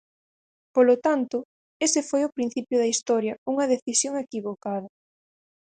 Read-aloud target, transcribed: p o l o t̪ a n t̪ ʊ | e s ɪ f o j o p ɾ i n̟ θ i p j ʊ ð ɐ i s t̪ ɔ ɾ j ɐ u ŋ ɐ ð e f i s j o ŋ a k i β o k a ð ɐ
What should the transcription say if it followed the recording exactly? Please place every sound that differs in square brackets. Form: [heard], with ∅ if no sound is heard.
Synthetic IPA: p o l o t̪ a n t̪ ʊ | e s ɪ f o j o p ɾ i n̟ θ i p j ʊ ð ɐ i s t̪ ɔ ɾ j ɐ u ŋ ɐ ð e [θ] i s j o ŋ [e] k i β o k a ð ɐ